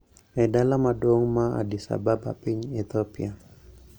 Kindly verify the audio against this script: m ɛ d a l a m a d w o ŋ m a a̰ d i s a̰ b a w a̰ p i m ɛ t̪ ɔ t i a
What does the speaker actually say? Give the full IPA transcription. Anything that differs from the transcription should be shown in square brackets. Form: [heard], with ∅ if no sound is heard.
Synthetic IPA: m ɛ d a l a m a d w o ŋ m a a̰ d i s a̰ b a [b] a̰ p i [ɲ] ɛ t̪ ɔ [p] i a